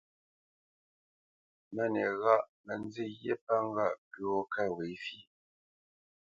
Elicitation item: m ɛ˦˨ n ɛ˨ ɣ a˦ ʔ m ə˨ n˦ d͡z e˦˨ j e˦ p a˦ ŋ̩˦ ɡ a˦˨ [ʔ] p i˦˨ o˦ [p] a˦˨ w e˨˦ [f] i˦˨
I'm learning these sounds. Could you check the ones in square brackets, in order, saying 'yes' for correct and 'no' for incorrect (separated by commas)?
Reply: yes, no, yes